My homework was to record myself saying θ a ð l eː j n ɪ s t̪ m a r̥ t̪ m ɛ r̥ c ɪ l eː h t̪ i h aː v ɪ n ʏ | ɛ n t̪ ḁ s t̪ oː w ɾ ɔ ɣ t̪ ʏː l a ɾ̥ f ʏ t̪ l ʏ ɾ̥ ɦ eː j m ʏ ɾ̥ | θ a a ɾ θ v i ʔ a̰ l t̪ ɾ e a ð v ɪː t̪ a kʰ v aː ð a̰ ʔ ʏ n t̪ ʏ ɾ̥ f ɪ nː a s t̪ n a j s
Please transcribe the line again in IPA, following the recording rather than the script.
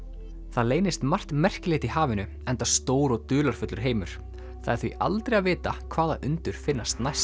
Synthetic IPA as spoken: θ a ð l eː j n ɪ s t̪ m a r̥ t̪ m ɛ r̥ c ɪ l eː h t̪ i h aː v ɪ n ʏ | ɛ n t̪ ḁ s t̪ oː w ɾ ɔ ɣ t̪ ʏː l a ɾ̥ f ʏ t̪ l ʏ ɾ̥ ɦ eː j m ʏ ɾ̥ | θ a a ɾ θ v i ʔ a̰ l t̪ ɾ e a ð v ɪː t̪ a kʰ v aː ð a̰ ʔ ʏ n t̪ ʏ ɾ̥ f ɪ nː a s t̪ n a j s